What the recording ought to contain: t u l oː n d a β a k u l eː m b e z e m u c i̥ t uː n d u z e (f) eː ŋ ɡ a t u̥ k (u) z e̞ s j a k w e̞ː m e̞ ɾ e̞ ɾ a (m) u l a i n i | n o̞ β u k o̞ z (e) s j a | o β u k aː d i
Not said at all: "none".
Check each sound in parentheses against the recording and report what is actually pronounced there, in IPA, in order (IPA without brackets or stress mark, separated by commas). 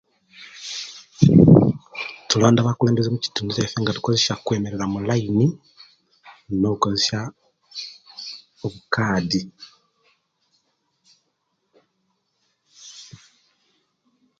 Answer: f, o, m, e